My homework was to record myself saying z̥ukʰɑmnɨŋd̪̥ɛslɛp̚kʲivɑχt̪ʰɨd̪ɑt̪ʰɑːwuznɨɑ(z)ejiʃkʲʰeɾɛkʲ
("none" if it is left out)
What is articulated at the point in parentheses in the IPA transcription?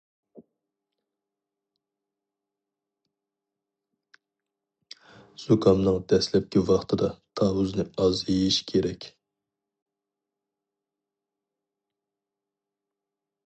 z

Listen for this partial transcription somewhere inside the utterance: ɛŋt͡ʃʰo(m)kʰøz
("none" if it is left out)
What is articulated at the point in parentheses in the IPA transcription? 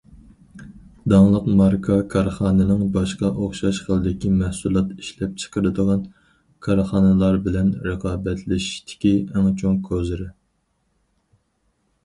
ŋ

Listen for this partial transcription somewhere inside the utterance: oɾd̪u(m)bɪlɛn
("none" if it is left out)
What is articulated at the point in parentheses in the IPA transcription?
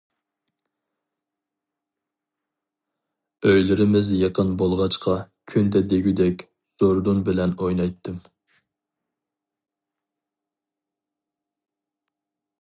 n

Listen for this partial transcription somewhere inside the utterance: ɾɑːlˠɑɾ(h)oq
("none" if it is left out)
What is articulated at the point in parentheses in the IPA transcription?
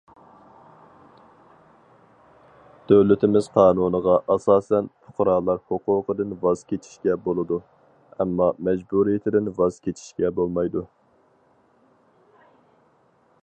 h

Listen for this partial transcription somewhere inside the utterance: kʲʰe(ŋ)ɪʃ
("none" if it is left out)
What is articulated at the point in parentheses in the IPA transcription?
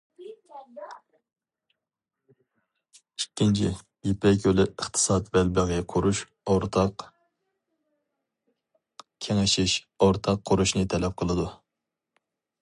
ŋ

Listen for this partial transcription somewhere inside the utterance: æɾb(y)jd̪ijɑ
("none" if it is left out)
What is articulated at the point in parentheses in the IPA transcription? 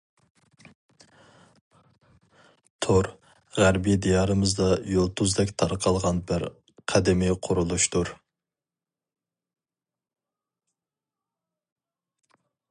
i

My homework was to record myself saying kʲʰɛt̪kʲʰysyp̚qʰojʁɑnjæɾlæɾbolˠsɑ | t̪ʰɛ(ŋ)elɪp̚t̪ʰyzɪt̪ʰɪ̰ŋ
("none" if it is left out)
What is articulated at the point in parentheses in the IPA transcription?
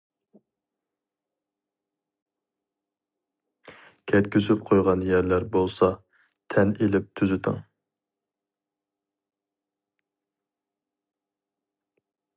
n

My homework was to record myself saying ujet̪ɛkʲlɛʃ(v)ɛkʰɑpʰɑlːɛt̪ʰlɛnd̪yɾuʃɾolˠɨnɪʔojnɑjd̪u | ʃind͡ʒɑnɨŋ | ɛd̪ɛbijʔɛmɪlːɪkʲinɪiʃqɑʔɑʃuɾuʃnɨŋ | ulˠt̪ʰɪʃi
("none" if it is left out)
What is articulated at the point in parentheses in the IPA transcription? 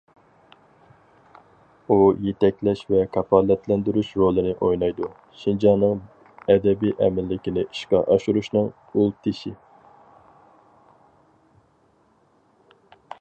v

